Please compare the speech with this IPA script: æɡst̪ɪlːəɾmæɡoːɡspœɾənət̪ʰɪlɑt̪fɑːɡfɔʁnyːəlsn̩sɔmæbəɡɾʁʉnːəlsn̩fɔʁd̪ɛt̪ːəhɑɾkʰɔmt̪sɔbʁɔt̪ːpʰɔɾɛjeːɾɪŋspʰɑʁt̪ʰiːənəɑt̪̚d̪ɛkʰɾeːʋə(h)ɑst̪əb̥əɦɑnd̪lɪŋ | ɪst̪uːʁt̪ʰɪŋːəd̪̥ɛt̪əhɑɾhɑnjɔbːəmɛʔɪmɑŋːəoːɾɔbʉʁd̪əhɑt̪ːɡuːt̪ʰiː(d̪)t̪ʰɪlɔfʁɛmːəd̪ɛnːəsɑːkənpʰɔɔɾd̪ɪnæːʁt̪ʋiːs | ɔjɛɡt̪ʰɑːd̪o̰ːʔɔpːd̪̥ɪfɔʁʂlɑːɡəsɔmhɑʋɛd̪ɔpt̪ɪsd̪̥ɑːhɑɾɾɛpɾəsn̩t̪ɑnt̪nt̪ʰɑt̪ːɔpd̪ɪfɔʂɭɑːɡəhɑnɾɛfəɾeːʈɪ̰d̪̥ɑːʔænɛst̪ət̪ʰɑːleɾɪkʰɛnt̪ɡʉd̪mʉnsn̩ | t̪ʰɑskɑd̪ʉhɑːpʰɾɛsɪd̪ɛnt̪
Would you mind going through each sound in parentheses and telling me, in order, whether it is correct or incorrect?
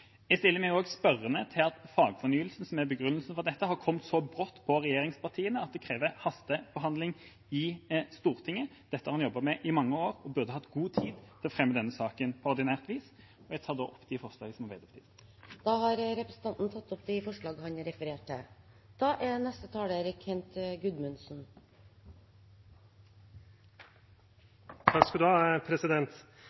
correct, correct

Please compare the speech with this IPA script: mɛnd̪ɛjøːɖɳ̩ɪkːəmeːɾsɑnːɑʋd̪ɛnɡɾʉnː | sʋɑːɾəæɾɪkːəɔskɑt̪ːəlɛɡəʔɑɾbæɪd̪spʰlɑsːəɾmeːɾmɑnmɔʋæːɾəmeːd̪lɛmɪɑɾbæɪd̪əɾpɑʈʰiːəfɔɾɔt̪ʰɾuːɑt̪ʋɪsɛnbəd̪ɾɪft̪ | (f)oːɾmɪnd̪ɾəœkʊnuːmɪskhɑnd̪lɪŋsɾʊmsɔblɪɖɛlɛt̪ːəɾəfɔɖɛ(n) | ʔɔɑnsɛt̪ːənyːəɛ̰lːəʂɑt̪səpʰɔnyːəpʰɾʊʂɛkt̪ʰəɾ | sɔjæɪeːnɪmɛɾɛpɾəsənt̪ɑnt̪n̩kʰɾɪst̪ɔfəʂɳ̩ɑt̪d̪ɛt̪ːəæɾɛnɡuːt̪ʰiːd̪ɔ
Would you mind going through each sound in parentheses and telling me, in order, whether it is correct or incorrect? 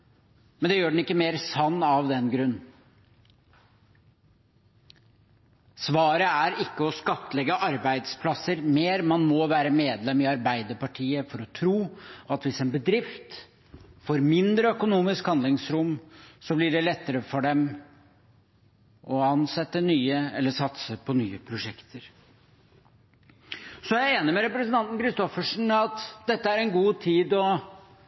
correct, incorrect

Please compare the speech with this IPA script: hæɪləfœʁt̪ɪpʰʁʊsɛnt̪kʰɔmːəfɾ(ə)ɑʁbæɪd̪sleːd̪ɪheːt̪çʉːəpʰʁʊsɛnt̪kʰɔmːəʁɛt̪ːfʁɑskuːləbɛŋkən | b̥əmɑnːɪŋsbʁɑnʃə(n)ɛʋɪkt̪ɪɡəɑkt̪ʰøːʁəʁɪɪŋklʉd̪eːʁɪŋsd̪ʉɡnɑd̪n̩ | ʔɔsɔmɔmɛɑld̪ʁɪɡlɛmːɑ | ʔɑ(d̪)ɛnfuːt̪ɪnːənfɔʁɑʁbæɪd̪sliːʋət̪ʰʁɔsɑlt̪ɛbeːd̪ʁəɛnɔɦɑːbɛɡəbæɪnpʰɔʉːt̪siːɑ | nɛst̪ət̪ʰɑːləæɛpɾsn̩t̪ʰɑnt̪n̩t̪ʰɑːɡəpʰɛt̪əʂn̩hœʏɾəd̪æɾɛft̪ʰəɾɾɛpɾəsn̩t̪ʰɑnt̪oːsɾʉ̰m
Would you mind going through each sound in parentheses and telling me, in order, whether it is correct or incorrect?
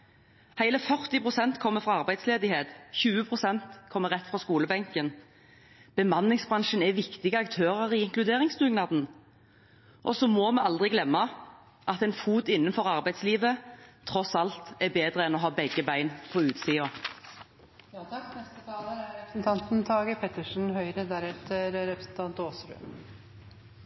incorrect, correct, incorrect

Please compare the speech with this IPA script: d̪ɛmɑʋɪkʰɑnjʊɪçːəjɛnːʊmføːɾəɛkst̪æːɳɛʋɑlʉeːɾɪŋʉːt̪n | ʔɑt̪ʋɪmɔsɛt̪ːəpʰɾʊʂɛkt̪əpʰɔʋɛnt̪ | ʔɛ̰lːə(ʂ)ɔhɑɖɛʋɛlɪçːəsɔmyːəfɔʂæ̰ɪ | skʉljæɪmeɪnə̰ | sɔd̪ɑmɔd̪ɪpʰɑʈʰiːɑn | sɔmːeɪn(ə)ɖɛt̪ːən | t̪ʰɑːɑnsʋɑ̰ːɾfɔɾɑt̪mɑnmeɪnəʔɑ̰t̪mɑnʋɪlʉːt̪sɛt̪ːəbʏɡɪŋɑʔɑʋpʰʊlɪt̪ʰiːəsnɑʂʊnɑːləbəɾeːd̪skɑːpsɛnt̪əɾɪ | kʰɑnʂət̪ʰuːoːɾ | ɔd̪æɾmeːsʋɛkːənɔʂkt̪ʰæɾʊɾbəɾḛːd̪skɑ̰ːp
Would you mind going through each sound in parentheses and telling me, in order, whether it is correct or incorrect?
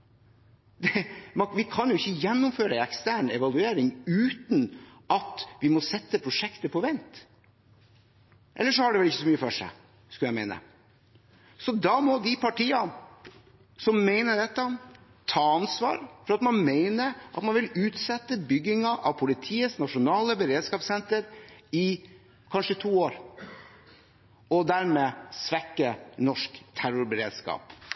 correct, correct

